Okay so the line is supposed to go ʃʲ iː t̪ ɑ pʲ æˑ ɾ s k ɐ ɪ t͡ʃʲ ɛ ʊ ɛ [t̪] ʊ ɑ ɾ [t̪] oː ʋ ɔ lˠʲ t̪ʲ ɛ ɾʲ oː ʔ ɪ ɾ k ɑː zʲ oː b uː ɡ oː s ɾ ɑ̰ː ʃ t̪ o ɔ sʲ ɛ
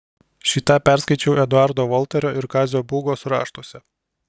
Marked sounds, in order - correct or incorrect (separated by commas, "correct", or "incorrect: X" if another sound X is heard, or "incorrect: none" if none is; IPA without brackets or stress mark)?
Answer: incorrect: d̪, incorrect: d̪